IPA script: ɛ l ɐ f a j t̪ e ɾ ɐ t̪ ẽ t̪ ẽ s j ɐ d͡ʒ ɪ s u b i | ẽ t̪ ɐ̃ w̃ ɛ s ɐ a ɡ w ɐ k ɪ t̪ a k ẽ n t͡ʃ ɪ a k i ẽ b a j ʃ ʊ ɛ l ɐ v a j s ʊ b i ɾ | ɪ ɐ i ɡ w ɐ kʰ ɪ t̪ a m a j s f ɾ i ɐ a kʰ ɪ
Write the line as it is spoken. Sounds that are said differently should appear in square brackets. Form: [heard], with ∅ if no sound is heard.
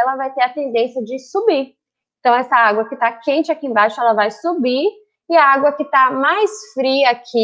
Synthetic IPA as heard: ɛ l ɐ [v] a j t̪ e ɾ ɐ t̪ ẽ [d̪] ẽ s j ɐ d͡ʒ ɪ s u b i | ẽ t̪ ɐ̃ w̃ ɛ s ɐ a ɡ w ɐ k ɪ t̪ a k ẽ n t͡ʃ ɪ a k i ẽ b a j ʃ ʊ ɛ l ɐ v a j s [u] b i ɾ | ɪ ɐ [a] ɡ w ɐ [k] ɪ t̪ a m a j s f ɾ i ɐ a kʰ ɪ